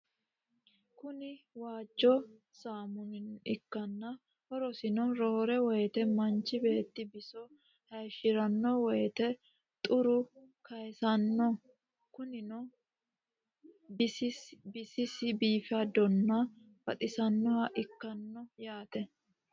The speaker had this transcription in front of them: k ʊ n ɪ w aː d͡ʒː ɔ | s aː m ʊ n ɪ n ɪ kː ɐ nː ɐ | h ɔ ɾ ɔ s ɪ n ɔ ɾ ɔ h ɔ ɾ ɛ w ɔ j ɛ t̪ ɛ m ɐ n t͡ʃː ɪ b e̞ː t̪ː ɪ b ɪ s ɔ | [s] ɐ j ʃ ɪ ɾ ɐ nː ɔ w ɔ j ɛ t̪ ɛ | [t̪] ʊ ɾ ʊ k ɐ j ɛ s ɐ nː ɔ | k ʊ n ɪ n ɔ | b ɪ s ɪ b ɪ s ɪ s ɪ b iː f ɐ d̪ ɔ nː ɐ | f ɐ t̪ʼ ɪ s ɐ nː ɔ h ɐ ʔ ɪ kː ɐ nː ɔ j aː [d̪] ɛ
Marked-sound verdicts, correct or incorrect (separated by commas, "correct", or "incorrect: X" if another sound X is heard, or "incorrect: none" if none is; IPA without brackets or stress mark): incorrect: h, incorrect: t̪ʼ, incorrect: t̪